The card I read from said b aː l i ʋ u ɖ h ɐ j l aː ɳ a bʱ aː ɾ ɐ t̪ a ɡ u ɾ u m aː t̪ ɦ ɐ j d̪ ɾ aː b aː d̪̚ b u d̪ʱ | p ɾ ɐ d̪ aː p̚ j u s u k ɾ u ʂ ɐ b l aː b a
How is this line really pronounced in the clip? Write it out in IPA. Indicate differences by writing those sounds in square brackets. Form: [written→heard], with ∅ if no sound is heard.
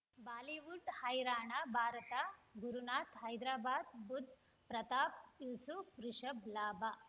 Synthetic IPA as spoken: b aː l i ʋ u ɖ h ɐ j [l→ɾ] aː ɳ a bʱ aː ɾ ɐ t̪ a ɡ u ɾ u [m→n] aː t̪ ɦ ɐ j d̪ ɾ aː b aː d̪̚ b u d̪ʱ | p ɾ ɐ [d̪→t̪] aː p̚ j u s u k ɾ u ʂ ɐ b l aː b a